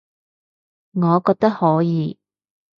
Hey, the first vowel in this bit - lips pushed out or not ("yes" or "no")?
yes